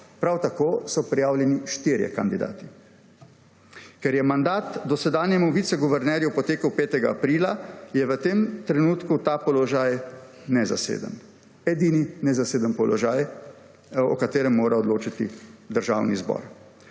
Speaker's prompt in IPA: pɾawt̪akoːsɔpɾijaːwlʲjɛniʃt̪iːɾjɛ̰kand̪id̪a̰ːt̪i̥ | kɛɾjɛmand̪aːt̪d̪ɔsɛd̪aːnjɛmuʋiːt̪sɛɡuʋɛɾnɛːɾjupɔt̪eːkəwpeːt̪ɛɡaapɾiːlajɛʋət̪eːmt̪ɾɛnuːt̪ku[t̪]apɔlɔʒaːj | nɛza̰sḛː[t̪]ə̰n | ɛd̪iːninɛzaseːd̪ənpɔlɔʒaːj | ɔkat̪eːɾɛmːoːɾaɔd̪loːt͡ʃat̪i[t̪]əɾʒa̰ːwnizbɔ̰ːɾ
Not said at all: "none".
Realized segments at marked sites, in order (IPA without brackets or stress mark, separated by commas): t̪, d̪, d̪